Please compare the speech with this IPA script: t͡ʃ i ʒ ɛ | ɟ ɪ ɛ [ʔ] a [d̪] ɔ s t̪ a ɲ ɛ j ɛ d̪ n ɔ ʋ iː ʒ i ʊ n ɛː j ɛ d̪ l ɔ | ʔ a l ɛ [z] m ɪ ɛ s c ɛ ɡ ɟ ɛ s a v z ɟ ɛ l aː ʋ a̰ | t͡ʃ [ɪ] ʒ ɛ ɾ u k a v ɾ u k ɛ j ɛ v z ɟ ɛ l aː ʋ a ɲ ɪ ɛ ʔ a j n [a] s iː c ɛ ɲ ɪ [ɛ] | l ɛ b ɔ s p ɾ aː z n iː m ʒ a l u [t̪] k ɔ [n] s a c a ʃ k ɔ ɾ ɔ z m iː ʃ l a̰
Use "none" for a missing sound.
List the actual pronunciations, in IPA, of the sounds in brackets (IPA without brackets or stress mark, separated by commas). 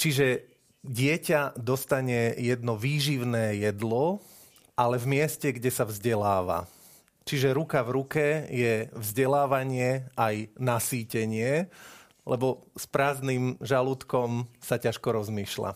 c, d̪, v, i, a, ɛ, t̪, m